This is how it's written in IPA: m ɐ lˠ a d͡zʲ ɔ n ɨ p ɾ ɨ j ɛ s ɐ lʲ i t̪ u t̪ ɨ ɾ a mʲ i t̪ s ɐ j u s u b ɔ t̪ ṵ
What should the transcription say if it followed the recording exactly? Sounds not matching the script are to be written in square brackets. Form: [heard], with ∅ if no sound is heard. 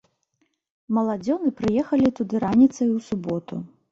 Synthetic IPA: m ɐ lˠ a d͡zʲ ɔ n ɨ p ɾ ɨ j ɛ [x] ɐ lʲ i t̪ u [d̪] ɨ ɾ a [nʲ] i t̪ s ɐ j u s u b ɔ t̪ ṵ